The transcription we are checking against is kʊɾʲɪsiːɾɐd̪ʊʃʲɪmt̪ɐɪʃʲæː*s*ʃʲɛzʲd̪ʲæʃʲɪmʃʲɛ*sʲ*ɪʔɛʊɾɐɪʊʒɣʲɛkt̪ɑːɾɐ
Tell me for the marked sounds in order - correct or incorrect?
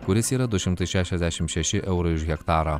incorrect: none, incorrect: ʃʲ

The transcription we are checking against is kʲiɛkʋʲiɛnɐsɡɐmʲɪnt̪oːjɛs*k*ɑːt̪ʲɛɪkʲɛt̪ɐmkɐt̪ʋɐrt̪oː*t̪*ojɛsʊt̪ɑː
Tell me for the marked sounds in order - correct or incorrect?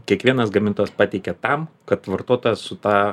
incorrect: p, correct

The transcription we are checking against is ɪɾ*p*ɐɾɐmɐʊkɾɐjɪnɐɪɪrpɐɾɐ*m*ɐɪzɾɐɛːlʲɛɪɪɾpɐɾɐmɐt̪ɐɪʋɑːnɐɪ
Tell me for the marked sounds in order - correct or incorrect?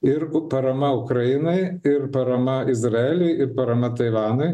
correct, correct

